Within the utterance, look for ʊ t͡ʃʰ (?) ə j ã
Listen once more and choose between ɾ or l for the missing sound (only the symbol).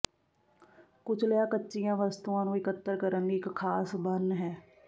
l